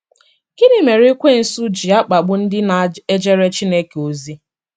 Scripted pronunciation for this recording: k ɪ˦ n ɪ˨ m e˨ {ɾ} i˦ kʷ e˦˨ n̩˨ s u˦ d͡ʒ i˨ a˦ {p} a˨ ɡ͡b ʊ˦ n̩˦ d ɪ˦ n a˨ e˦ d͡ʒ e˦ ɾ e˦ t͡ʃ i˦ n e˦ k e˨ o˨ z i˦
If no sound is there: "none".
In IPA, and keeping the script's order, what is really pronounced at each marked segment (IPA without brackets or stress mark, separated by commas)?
ɾ, k͡p